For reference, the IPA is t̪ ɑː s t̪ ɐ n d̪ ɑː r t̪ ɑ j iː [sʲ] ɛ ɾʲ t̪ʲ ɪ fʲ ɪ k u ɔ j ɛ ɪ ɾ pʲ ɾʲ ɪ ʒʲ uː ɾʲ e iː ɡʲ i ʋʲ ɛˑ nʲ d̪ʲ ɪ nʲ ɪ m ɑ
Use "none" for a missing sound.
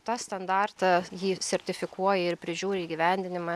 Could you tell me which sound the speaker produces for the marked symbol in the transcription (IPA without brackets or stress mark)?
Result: sʲ